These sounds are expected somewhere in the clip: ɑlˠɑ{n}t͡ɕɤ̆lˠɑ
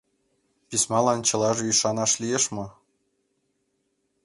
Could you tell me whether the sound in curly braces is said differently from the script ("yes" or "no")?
no